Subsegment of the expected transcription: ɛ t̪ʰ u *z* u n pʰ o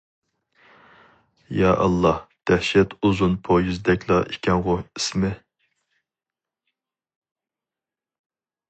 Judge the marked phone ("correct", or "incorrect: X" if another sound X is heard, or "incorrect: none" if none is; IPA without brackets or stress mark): correct